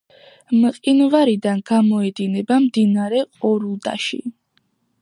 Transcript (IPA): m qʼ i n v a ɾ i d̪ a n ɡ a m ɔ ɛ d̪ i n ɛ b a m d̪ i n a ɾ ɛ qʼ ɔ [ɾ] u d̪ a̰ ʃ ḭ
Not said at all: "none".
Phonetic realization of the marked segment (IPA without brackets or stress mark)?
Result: ɾ